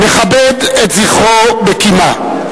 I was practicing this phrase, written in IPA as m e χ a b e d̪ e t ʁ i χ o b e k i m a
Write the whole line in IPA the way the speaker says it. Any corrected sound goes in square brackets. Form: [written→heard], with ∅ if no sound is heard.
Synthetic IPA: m e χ a b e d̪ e t [ʁ→z] i χ o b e k i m a